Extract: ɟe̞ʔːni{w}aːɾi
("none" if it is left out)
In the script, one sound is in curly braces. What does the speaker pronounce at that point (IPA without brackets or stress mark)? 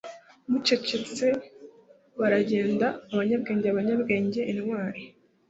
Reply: w